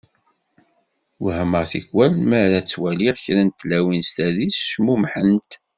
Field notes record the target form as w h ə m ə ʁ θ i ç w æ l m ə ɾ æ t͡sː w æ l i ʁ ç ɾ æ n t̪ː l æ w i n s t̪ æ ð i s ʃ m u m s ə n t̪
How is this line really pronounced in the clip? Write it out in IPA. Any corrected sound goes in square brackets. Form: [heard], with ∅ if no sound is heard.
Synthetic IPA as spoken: w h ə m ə ʁ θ i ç w æ l m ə ɾ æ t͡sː w æ l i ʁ ç ɾ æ n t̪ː l æ w i n s t̪ æ ð i s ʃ m u m [ħ] ə n t̪